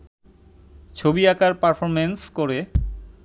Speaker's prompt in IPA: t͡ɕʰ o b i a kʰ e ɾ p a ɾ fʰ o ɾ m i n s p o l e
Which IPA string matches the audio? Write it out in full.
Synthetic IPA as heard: t͡ɕʰ o b i a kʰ a ɾ p a ɾ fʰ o ɾ m e n s k o ɾ e